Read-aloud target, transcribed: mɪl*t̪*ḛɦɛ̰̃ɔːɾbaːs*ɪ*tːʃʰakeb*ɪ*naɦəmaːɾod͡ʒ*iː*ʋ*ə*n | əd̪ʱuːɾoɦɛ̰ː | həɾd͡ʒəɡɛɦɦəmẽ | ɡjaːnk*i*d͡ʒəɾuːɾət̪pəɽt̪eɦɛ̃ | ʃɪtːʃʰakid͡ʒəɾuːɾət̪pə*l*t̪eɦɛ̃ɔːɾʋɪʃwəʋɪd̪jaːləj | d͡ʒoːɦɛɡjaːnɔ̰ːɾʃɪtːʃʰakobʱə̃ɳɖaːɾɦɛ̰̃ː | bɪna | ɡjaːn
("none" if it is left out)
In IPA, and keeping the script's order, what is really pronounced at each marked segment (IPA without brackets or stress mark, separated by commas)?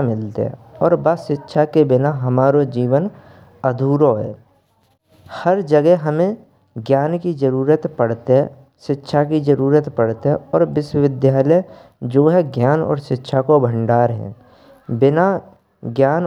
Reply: t̪, ɪ, ɪ, iː, ə, i, ɽ